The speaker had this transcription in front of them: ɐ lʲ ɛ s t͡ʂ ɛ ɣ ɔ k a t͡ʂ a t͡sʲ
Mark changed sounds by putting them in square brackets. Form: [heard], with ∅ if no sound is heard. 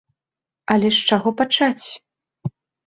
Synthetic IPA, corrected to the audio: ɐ lʲ ɛ [ʂ] t͡ʂ [a] ɣ ɔ [p] a t͡ʂ a t͡sʲ